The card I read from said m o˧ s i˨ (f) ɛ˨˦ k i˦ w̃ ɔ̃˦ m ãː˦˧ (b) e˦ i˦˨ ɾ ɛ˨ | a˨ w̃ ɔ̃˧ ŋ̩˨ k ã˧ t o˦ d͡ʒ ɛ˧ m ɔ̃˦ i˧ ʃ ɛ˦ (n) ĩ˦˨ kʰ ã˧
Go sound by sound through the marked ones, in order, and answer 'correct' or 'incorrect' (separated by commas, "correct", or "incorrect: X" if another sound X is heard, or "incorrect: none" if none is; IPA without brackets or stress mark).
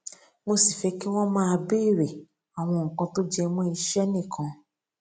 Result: correct, correct, correct